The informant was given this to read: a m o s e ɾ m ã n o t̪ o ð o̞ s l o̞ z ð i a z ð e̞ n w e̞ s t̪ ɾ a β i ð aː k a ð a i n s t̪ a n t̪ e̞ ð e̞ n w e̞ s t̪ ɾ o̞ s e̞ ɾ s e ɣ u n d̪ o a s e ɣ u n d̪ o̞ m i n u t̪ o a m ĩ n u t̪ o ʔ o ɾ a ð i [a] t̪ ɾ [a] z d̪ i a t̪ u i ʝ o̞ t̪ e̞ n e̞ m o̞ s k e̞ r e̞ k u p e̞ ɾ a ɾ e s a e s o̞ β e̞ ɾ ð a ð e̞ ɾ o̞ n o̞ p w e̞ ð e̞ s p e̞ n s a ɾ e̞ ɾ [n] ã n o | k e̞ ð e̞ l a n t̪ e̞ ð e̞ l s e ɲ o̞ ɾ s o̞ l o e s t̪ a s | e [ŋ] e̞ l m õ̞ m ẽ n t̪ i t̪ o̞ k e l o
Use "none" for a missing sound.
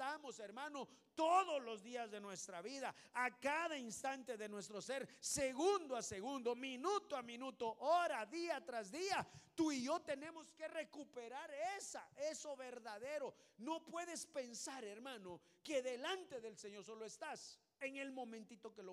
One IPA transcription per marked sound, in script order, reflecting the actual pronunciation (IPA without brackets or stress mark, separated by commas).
a, a, m, ŋ